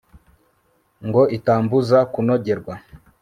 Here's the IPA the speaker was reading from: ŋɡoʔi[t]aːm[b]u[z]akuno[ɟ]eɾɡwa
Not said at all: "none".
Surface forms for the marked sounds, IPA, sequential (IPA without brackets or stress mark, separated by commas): t, b, z, ɟ